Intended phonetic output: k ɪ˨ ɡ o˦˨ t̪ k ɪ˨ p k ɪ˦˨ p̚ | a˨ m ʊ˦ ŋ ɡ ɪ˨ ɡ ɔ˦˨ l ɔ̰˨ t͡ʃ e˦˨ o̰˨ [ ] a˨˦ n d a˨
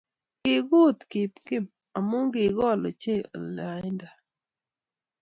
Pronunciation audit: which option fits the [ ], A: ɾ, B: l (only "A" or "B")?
B